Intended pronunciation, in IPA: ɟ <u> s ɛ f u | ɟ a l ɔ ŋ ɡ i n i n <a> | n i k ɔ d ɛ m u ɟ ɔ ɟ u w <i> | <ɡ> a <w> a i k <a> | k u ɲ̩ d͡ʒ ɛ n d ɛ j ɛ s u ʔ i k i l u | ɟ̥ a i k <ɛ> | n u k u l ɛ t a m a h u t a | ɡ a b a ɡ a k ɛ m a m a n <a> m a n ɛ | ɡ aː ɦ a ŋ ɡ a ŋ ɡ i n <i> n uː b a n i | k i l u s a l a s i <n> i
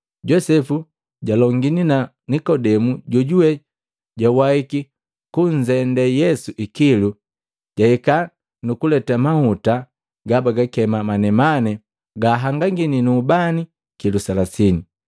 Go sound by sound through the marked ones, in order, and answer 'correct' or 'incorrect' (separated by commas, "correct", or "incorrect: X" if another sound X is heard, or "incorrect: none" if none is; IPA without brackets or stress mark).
incorrect: ɔ, correct, incorrect: ɛ, incorrect: ɟ, correct, incorrect: i, incorrect: a, incorrect: ɛ, correct, correct